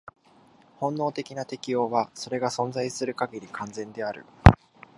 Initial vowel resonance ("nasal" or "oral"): nasal